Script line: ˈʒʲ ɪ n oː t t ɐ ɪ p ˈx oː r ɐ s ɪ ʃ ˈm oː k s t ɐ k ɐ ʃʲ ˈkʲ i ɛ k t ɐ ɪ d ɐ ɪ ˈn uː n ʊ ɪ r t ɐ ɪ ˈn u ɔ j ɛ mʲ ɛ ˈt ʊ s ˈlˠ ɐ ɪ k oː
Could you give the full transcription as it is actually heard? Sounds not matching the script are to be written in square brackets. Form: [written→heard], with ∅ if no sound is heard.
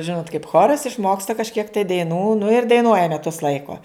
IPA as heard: ˈʒʲ ɪ n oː t [t→k] ɐ ɪ p ˈx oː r ɐ s ɪ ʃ ˈm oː k s t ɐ k ɐ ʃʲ ˈkʲ i ɛ k t ɐ ɪ d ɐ ɪ ˈn uː n ʊ ɪ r [t→d] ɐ ɪ ˈn u ɔ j ɛ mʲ ɛ ˈt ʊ s ˈlˠ ɐ ɪ k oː